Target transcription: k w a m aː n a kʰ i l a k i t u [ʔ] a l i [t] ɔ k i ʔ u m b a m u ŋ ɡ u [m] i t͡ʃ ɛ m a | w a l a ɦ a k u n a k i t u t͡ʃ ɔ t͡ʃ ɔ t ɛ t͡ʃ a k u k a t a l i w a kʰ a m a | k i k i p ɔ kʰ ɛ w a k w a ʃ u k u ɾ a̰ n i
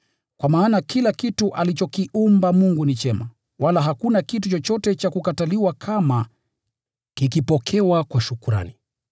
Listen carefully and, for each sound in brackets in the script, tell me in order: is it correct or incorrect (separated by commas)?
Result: correct, incorrect, incorrect